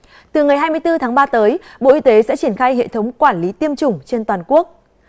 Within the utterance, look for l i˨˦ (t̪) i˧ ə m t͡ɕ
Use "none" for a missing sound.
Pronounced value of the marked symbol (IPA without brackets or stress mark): t̪